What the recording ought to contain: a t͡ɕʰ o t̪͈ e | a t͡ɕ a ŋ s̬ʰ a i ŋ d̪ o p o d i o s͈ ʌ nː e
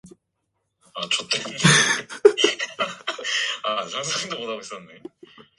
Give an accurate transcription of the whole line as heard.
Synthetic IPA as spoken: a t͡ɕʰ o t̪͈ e | a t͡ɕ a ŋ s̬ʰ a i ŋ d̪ o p o d a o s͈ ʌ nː e